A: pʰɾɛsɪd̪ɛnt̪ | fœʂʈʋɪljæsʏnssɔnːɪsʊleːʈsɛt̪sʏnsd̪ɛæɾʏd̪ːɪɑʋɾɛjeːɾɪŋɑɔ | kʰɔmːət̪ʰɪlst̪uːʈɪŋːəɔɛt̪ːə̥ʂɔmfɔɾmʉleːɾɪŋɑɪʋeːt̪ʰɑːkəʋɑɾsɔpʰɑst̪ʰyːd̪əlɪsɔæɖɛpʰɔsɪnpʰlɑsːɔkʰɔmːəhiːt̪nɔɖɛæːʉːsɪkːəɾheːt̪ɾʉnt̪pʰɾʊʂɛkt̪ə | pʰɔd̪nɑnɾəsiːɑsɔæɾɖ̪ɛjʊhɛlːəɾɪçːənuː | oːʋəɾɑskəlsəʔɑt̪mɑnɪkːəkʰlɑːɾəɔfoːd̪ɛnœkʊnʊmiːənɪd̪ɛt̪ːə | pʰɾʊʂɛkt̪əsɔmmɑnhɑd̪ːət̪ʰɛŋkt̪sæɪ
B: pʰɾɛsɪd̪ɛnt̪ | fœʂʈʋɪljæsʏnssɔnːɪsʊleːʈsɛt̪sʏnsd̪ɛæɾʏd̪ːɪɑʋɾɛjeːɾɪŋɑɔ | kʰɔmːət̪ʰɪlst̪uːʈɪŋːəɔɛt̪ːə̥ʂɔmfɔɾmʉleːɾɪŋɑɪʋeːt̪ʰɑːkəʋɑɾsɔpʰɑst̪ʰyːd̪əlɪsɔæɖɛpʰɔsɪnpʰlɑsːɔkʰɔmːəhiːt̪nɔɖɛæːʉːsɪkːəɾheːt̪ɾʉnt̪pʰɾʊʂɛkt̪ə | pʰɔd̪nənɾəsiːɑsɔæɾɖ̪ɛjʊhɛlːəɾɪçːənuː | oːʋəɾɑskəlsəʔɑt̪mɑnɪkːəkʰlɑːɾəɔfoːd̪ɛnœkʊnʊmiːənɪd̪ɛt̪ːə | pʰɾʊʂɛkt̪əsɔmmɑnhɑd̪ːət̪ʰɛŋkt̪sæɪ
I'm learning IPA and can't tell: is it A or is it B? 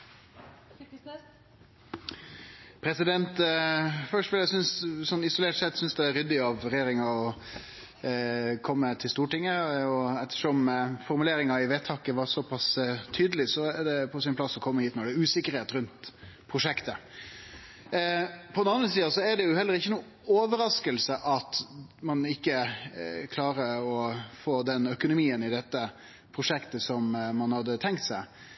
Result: A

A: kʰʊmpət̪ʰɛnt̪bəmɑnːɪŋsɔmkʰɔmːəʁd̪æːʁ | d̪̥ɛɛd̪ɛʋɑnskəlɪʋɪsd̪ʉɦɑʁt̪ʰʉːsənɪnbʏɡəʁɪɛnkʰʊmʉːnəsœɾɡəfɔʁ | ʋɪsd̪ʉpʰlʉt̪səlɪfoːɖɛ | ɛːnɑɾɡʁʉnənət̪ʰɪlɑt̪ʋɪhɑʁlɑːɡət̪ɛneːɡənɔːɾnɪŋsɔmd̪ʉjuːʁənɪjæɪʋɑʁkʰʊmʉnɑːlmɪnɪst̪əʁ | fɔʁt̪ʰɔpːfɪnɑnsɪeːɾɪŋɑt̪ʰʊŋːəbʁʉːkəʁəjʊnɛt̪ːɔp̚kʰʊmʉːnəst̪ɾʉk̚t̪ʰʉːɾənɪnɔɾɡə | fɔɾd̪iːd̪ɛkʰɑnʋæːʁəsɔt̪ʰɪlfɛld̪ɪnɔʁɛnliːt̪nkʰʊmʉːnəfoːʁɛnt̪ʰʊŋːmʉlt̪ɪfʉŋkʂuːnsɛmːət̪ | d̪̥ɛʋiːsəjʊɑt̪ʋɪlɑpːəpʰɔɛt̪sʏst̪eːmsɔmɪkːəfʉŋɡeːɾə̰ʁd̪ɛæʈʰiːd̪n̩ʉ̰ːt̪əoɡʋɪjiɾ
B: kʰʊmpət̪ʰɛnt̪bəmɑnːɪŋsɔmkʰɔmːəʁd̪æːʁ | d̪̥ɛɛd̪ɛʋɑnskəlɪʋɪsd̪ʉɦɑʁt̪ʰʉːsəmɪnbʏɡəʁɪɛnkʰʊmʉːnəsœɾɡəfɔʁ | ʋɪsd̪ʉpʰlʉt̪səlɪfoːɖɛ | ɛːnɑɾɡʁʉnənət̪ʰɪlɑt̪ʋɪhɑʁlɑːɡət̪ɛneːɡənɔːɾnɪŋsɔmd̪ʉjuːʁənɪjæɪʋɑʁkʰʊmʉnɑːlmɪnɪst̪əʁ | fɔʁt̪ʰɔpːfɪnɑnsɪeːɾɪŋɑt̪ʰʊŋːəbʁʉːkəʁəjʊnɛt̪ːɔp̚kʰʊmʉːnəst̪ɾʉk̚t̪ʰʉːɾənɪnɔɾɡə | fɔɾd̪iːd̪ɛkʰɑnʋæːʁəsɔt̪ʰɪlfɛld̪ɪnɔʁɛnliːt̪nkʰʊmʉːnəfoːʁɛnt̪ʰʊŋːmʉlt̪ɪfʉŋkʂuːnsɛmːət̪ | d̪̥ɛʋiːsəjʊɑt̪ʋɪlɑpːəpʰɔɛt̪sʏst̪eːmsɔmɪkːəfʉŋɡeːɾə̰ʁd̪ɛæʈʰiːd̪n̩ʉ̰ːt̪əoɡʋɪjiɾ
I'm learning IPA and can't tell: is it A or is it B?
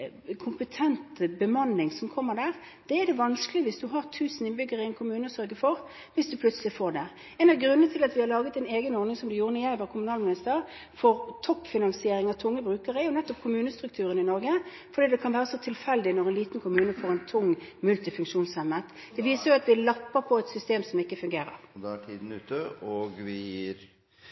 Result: A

